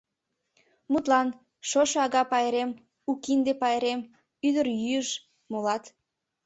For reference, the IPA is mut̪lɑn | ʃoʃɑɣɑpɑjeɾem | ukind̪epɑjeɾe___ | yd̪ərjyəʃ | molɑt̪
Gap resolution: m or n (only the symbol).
m